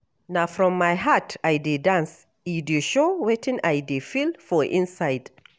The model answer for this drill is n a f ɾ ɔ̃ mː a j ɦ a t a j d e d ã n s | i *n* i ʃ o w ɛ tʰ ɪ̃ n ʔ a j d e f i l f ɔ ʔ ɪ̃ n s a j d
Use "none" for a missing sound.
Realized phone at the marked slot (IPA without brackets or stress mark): d